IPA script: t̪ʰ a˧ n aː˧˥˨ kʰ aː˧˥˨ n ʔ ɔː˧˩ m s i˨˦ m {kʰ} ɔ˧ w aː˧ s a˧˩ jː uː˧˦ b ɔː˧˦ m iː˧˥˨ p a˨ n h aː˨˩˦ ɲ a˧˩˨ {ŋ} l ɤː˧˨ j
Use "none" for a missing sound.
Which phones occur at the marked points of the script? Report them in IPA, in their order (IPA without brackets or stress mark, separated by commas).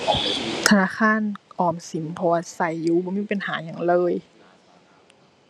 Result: pʰ, ŋ